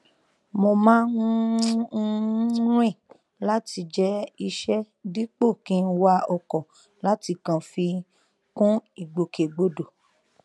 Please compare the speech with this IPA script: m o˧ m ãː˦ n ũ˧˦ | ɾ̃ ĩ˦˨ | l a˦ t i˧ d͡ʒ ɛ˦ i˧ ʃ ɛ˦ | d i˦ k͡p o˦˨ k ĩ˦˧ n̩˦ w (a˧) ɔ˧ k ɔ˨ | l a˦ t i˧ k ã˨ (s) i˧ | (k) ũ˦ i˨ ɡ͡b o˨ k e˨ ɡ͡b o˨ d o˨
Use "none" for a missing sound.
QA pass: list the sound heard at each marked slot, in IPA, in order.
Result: a˧, f, k

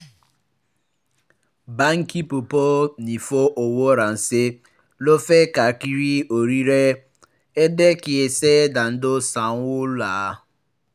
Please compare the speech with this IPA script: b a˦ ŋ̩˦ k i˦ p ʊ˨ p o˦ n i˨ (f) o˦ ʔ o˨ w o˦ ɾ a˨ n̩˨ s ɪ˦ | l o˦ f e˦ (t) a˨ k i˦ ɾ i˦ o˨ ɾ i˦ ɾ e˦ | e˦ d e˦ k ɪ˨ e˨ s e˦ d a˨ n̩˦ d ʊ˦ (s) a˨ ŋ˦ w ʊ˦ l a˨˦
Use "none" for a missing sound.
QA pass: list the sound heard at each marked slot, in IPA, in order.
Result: f, k, s

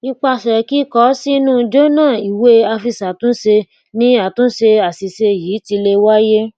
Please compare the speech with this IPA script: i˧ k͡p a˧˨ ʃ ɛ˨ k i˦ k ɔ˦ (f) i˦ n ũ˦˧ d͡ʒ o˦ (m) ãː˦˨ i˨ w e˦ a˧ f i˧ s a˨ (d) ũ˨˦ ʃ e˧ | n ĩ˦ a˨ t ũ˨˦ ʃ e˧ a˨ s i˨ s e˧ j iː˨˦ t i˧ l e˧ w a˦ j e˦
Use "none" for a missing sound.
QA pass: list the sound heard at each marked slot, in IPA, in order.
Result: s, n, t

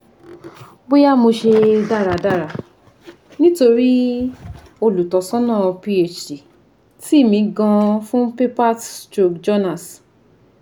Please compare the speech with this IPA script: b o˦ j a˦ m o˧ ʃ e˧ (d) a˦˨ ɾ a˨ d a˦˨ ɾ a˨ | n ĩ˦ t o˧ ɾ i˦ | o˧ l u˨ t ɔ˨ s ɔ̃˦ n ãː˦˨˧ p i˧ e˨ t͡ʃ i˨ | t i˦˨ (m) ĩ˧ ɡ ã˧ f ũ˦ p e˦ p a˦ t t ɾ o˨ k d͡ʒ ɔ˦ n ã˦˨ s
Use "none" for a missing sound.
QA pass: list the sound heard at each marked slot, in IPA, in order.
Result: d, m

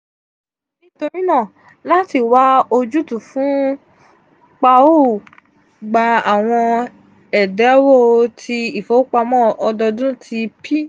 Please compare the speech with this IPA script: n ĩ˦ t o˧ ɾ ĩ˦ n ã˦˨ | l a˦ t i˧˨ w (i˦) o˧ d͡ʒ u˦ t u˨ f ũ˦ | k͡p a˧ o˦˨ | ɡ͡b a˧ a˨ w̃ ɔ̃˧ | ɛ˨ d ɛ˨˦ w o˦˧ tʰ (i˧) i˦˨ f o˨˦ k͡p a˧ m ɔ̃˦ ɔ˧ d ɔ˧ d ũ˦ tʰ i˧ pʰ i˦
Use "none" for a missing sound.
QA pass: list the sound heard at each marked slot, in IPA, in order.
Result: a˦, i˧

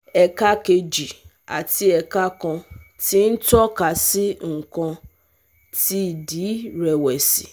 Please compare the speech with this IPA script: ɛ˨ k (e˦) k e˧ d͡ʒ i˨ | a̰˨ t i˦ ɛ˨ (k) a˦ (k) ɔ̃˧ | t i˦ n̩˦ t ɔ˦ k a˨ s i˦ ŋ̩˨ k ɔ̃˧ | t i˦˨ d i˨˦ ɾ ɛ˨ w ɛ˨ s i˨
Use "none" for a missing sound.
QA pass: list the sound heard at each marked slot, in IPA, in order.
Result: a˦, k, k

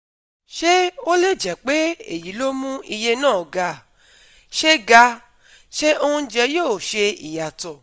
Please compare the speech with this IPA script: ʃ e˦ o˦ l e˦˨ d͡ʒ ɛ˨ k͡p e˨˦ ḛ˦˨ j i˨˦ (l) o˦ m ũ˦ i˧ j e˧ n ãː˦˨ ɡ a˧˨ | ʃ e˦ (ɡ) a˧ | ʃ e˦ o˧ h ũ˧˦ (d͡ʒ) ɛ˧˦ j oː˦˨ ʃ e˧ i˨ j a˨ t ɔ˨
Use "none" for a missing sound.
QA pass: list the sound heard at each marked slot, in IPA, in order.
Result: l, ɡ, d͡ʒ

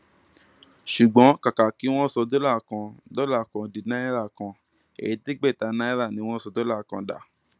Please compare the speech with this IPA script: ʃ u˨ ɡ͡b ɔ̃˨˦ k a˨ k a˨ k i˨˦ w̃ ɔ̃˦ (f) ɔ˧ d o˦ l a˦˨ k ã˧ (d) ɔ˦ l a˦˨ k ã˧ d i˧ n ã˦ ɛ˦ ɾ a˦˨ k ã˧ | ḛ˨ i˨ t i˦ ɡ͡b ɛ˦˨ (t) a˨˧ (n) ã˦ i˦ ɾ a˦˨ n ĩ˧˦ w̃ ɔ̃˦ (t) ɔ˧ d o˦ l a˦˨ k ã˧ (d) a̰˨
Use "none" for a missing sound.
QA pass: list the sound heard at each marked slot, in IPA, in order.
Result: s, d, t, n, s, d

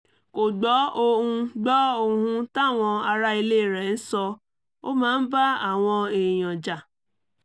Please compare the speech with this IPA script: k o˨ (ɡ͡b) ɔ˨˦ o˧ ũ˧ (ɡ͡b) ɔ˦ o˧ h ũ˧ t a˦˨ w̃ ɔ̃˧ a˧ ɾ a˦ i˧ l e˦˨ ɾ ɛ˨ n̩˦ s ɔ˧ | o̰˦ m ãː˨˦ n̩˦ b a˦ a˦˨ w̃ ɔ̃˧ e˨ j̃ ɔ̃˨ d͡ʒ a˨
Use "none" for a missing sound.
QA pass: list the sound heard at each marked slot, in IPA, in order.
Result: ɡ͡b, ɡ͡b

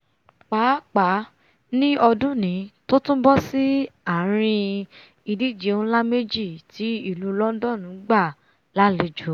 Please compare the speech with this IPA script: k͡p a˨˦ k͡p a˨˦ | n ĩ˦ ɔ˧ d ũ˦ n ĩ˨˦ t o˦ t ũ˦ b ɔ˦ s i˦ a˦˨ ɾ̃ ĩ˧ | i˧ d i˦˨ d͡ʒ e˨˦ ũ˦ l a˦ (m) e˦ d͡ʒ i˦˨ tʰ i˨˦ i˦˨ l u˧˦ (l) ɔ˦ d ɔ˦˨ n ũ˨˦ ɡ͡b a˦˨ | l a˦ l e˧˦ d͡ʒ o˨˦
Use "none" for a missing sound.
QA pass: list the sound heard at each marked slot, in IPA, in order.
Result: m, l

